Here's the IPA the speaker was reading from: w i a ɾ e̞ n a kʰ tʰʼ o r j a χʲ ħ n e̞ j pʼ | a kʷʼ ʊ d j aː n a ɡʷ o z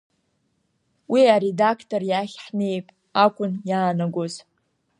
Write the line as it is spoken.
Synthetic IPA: w i a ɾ e̞ d a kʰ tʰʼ o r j a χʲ ħ n e̞ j pʼ | a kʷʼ ʊ n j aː n a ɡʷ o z